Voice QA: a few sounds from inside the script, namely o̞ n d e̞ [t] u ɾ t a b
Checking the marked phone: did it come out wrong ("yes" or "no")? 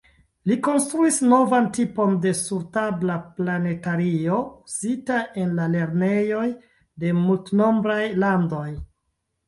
yes